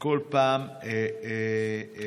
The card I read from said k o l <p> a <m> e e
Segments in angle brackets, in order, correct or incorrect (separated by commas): correct, correct